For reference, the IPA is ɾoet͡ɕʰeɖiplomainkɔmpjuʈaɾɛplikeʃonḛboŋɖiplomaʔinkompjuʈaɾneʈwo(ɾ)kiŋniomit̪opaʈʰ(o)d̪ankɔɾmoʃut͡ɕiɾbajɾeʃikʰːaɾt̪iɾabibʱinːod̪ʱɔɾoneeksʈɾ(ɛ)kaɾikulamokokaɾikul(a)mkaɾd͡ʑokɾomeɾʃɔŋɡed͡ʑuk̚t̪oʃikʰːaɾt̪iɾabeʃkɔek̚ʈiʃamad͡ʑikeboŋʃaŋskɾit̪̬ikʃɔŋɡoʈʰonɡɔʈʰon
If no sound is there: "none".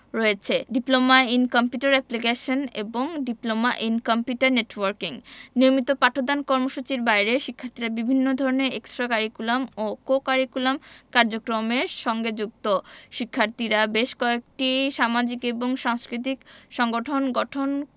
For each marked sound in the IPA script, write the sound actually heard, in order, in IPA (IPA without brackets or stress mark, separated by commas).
ɾ, o, a, a